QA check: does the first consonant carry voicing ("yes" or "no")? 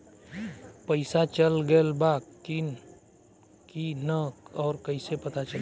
no